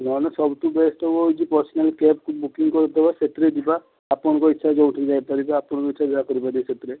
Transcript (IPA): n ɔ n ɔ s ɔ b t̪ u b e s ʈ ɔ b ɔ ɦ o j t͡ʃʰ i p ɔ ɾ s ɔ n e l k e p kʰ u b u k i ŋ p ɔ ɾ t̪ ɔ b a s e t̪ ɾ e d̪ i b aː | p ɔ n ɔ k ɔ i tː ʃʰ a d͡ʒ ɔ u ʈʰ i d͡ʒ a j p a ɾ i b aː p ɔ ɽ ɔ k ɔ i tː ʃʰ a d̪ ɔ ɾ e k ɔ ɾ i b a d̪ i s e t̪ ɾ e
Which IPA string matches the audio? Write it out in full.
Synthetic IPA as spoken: n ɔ n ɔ s ɔ b t̪ u b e s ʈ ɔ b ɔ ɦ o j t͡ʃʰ i p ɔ ɾ s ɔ n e l k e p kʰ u b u k i ŋ k ɔ ɾ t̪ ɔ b a s e t̪ ɾ e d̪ i b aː | p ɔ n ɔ k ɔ i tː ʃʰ a d͡ʒ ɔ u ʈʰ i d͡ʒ a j p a ɾ i b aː p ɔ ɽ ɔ k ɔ i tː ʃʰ a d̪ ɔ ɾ a k ɔ ɾ i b a d̪ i s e t̪ ɾ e